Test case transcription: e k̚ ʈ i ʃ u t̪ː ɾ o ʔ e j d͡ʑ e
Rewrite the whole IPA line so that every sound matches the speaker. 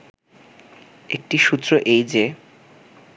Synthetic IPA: e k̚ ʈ i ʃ u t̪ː ɾ o ʔ e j d͡ʑ e